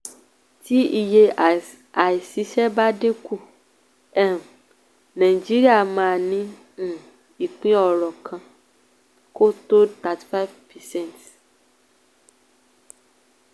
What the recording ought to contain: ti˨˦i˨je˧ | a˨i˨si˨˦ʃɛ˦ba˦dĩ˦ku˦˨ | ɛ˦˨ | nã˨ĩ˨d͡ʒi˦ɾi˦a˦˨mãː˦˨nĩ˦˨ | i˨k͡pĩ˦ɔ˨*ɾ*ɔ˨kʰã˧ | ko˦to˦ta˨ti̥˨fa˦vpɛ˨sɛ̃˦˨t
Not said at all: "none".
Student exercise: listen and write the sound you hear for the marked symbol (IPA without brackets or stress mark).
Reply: ɾ